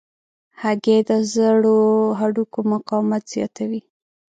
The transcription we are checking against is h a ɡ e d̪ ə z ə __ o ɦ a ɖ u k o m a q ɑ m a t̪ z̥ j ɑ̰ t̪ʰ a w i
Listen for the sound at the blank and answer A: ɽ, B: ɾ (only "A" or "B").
A